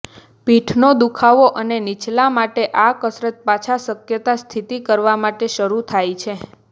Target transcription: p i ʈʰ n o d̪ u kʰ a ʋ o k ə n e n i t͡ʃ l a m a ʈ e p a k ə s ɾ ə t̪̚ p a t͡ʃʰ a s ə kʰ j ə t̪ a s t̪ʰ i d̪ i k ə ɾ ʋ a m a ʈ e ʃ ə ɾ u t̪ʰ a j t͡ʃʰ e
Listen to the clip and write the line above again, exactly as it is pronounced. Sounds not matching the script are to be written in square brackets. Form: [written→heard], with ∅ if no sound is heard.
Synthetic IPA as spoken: p i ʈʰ n o d̪ u kʰ a ʋ o [k→ʔ] ə n e n i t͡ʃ l a m a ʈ e [p→ʔ] a k ə s ɾ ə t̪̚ p a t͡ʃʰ a s ə [kʰ→k] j ə t̪ a s t̪ʰ i [d̪→t̪] i k ə ɾ ʋ a m a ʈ e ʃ ə ɾ u t̪ʰ a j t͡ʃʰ e